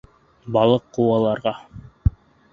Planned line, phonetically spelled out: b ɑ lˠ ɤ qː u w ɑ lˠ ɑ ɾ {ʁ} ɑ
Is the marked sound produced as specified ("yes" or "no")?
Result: yes